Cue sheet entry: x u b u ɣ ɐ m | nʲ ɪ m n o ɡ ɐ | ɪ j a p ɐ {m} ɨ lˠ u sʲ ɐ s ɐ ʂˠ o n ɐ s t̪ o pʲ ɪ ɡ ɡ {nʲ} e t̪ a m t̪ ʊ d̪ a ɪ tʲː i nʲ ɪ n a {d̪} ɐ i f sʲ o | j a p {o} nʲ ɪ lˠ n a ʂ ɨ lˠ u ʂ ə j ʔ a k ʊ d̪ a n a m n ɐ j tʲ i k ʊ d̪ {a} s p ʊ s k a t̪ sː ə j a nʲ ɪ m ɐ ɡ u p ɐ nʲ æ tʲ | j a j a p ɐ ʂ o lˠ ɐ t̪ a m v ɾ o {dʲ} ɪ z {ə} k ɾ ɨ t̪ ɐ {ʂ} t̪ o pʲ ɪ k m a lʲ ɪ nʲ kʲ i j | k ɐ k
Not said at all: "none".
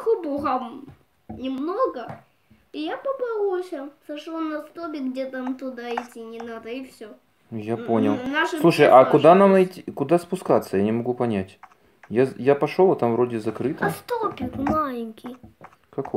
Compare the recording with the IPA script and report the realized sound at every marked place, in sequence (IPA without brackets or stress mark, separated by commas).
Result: b, dʲ, d̪, o, a, dʲ, ɐ, s